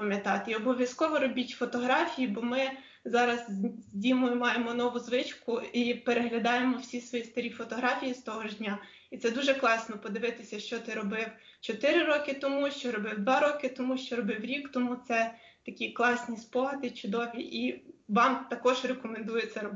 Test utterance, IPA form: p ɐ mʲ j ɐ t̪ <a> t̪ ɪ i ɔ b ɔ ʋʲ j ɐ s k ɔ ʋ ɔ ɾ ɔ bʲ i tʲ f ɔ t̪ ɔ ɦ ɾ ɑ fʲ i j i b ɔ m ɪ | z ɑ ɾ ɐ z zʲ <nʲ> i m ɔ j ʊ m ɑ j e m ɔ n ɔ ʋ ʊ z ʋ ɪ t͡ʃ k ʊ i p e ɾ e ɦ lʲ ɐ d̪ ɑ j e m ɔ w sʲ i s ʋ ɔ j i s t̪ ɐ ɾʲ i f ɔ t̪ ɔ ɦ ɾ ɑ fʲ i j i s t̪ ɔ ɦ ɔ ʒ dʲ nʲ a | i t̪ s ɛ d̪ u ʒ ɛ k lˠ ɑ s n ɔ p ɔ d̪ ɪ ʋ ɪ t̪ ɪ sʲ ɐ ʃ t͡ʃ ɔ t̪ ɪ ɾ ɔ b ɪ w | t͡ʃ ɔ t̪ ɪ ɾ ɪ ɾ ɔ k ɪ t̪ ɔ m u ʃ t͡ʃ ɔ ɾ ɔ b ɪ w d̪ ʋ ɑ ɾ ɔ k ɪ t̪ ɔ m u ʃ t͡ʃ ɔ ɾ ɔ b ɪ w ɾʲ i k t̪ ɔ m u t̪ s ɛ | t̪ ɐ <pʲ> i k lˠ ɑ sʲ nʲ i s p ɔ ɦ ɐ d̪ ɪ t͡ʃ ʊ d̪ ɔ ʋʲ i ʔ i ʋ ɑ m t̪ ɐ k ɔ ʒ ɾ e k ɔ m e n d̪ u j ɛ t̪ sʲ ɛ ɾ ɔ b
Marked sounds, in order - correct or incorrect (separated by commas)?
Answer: incorrect, incorrect, incorrect